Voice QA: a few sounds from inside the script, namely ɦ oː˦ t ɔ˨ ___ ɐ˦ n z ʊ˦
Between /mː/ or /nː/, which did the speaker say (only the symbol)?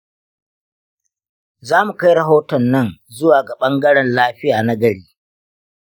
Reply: nː